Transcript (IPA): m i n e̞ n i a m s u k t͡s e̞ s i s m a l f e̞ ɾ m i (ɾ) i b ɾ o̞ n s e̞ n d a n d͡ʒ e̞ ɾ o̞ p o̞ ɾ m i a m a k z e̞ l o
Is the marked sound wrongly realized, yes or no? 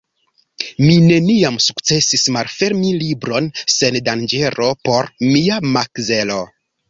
yes